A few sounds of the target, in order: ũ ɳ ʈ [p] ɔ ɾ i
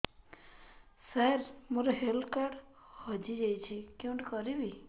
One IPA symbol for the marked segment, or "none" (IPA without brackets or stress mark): k